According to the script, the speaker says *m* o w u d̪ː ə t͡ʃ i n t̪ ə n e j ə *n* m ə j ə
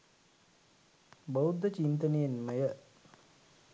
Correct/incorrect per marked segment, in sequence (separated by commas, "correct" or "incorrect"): incorrect, correct